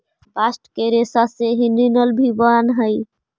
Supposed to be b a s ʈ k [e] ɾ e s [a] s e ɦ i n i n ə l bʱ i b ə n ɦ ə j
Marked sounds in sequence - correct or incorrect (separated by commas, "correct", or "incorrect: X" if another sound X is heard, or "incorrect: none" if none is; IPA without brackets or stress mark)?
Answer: correct, correct